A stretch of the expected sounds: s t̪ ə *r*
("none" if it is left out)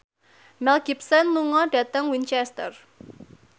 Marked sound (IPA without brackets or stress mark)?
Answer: r